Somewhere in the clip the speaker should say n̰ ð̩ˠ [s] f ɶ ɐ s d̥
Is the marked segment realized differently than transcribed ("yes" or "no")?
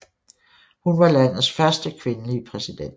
no